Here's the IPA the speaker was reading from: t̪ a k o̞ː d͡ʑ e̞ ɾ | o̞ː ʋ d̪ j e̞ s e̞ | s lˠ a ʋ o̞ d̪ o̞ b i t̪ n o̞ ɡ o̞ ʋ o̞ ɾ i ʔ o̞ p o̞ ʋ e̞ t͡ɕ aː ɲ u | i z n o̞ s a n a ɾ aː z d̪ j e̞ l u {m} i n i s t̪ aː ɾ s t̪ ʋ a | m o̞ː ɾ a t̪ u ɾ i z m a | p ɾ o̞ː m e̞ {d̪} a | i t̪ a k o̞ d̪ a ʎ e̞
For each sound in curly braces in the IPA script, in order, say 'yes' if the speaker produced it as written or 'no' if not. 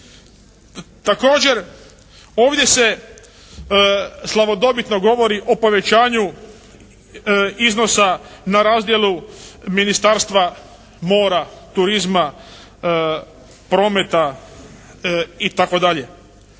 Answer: yes, no

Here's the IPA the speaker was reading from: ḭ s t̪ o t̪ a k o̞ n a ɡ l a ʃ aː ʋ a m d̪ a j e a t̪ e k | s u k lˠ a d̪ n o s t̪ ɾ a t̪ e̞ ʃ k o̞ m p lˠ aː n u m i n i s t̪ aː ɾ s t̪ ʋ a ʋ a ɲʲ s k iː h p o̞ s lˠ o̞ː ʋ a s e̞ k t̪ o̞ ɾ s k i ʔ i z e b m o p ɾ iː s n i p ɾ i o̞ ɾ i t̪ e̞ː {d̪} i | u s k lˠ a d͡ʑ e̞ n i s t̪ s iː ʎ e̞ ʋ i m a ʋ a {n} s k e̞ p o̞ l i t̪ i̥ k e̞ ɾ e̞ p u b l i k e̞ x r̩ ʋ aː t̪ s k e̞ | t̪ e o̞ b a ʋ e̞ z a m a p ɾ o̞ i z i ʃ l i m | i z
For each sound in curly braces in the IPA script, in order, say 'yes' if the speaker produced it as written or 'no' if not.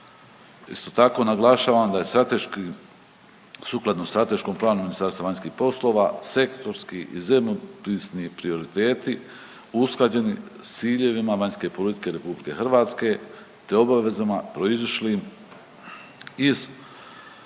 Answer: no, no

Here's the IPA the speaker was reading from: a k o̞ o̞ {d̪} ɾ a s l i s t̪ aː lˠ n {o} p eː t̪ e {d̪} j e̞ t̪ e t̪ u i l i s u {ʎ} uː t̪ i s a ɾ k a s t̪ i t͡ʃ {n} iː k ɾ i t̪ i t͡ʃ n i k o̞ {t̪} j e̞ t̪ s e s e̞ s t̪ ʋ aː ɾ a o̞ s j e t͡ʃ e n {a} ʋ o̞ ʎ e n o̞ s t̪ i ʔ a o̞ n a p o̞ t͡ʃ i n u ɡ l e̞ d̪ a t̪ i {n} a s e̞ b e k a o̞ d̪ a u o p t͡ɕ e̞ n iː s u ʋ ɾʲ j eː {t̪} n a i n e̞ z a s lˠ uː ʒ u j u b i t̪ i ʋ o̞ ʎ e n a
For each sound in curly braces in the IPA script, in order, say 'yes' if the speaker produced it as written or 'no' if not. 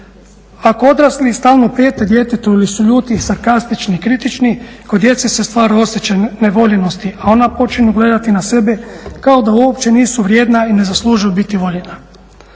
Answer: yes, yes, yes, yes, yes, no, no, yes, no

